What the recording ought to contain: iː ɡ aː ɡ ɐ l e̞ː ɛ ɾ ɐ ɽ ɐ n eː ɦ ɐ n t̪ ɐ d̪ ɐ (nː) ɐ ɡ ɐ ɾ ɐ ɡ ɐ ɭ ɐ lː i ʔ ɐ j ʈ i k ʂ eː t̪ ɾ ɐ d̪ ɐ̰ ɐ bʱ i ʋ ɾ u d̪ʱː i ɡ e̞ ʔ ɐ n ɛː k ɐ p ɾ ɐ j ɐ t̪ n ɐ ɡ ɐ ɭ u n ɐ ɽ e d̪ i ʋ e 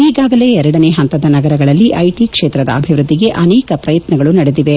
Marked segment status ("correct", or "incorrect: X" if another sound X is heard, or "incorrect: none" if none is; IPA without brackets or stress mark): incorrect: n